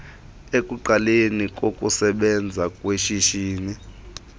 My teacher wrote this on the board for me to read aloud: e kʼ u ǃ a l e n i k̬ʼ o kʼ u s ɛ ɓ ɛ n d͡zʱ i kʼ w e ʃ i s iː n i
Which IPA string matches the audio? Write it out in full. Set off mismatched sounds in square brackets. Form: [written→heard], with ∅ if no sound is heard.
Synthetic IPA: e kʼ u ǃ a l e n i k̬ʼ o kʼ u s ɛ ɓ ɛ n d͡zʱ [i→a] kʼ w e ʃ i [s→ʃ] iː n i